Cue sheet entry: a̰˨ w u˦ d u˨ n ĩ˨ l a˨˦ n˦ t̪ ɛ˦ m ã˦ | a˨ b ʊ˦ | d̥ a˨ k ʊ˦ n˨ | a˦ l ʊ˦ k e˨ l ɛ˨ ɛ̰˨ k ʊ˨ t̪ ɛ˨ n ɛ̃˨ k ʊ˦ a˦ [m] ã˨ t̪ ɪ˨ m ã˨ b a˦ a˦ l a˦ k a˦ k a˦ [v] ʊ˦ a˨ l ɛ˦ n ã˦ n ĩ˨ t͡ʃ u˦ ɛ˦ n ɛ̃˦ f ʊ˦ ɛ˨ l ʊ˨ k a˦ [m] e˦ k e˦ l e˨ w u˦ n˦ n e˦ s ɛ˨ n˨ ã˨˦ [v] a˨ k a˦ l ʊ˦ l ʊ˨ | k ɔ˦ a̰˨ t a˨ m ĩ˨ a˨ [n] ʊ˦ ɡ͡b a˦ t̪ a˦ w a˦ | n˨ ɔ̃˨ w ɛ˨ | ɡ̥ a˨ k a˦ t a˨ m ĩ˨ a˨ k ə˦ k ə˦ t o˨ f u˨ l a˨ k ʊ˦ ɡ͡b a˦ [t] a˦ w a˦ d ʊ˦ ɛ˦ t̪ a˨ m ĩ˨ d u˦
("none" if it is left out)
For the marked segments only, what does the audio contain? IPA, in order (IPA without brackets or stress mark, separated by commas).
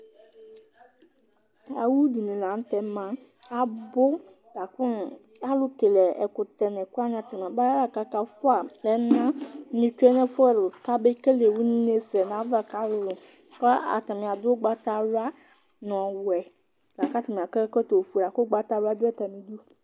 ɲ, f, b, v, d, t